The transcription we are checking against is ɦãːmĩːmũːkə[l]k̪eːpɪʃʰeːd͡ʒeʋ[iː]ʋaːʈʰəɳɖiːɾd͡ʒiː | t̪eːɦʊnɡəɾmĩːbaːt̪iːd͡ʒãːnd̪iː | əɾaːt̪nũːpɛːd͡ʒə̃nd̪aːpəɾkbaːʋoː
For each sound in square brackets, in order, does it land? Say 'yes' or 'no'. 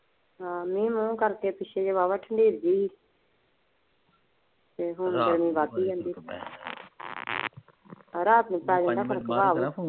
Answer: no, no

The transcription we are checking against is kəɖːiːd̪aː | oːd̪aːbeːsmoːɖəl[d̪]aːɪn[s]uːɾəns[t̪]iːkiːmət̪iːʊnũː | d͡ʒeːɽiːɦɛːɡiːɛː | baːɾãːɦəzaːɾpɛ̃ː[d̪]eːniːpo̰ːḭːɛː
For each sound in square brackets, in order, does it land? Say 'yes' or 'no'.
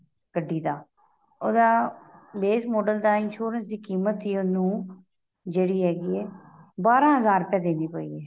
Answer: yes, no, no, yes

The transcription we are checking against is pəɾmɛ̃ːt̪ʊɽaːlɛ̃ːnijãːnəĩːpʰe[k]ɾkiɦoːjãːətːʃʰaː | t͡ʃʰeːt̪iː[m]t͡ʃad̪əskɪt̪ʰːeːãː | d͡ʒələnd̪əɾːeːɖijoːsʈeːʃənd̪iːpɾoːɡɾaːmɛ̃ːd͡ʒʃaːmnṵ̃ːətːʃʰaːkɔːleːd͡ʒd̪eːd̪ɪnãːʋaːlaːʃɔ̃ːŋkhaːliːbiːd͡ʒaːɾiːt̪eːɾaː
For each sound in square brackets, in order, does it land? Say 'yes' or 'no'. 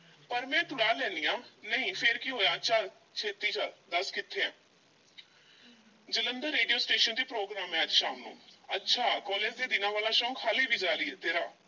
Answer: no, no

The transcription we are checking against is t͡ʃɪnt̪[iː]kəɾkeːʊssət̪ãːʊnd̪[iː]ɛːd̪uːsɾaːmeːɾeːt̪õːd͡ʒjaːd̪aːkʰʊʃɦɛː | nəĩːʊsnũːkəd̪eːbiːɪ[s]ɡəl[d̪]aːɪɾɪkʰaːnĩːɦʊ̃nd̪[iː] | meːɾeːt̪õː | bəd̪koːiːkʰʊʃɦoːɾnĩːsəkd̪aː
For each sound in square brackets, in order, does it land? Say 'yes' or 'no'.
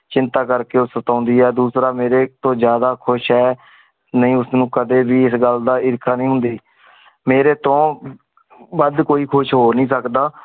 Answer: no, yes, yes, yes, yes

